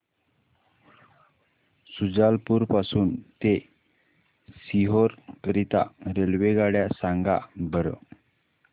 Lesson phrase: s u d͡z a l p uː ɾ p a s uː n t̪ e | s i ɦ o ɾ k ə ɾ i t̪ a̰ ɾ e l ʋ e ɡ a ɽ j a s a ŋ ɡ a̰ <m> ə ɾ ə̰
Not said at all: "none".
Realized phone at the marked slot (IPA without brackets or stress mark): b